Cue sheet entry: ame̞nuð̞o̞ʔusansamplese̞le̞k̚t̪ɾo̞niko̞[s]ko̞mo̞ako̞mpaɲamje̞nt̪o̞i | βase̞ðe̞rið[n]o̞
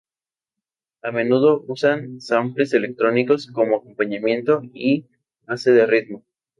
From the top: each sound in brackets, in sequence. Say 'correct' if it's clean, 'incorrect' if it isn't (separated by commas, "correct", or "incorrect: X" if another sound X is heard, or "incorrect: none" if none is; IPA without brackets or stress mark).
correct, incorrect: m